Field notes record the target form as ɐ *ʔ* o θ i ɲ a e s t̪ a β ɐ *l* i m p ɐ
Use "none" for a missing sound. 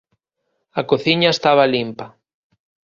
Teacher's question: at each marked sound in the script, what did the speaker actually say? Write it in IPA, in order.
k, l

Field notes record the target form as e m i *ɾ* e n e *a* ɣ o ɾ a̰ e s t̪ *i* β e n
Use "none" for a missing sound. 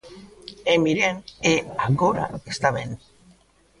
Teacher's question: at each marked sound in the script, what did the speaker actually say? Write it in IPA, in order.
ɾ, a, a

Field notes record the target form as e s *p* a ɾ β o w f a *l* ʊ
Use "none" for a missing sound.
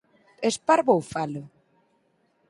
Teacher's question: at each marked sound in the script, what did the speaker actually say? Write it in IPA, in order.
p, l

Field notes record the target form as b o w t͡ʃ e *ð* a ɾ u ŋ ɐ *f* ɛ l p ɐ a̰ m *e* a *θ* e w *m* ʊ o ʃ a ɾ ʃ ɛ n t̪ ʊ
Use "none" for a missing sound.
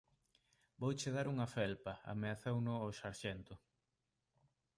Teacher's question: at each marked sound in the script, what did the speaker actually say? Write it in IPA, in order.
ð, f, e, θ, n

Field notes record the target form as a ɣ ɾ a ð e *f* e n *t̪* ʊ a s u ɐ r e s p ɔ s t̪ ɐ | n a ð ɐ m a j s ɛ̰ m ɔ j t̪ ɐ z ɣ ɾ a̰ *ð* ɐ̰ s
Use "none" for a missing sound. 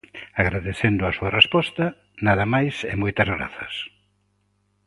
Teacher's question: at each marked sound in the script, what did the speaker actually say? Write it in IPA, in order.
θ, d̪, θ

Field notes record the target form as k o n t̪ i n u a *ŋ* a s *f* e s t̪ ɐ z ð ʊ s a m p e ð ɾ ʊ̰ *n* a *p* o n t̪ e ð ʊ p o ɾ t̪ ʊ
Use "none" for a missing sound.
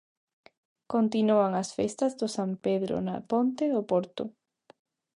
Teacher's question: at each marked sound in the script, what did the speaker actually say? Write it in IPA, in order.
ŋ, f, n, p

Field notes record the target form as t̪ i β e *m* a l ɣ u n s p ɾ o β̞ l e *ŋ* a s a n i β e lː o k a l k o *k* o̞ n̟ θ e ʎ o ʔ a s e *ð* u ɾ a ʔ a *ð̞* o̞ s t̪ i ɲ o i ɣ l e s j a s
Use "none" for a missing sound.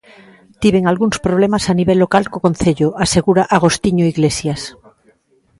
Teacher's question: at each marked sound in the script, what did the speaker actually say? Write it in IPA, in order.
ŋ, m, k, ɣ, ɣ̞

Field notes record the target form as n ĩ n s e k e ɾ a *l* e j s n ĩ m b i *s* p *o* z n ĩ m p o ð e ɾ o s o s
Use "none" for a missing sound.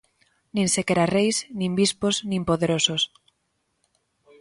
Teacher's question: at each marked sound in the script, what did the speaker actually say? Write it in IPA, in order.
r, s, o

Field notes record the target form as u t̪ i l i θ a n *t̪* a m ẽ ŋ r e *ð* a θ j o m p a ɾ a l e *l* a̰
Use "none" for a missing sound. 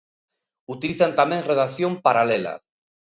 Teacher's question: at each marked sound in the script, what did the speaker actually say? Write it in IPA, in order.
t̪, ð, l

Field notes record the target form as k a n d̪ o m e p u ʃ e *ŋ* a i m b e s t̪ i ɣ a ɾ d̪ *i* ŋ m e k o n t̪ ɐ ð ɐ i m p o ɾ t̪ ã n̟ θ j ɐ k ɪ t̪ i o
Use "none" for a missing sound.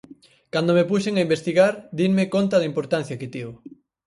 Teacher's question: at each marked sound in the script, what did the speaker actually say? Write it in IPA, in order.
ŋ, i

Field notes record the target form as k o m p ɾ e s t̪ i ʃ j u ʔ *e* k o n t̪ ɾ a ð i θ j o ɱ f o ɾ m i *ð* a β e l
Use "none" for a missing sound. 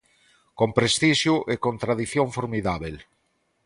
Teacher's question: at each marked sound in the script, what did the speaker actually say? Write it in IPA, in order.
e, ð

